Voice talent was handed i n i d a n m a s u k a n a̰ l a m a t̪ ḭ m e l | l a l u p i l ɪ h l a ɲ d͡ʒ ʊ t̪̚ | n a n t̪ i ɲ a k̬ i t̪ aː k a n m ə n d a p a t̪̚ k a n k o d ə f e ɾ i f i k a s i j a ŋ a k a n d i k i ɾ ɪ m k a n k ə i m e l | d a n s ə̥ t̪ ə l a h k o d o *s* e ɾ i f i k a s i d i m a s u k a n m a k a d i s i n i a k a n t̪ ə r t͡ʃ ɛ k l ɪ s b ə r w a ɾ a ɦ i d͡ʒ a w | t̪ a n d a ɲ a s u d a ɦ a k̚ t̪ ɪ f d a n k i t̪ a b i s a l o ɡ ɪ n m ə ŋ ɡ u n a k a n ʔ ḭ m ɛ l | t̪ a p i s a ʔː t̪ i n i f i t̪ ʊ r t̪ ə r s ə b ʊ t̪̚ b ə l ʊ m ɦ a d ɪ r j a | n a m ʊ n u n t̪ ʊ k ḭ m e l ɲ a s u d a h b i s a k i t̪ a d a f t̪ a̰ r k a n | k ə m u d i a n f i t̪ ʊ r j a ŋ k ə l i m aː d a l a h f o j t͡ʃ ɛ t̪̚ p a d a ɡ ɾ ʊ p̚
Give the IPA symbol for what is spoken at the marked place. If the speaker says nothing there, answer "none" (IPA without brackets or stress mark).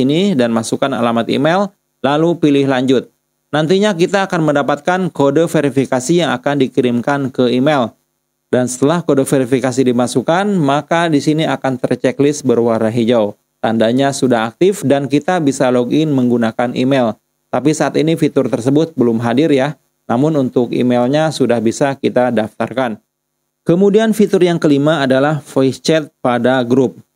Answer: f